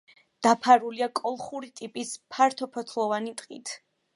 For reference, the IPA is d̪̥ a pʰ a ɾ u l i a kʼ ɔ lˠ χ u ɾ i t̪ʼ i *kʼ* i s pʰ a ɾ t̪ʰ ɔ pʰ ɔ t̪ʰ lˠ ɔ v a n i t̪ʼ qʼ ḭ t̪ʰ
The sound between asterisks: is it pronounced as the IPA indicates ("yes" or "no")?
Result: no